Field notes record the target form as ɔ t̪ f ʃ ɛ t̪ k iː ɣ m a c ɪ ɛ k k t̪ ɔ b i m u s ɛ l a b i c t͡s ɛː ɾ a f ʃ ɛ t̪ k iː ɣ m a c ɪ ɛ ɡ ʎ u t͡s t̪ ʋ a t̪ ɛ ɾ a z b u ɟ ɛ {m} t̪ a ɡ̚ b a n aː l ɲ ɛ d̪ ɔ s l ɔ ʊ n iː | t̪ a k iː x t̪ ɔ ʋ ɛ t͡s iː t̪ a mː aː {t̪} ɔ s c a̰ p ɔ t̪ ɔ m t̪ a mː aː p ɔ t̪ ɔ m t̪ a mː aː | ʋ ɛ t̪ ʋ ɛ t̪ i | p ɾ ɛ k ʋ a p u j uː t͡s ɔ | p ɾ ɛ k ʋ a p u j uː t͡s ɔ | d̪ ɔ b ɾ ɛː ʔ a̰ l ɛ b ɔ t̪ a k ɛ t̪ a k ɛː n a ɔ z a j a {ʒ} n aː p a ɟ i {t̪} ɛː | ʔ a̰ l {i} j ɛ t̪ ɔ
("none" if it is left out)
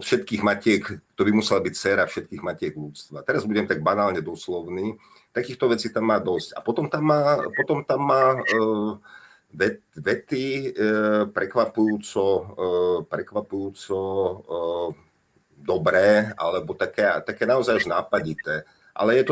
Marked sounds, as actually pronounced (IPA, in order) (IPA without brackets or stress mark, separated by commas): m, d̪, ʒ, t̪, ɛ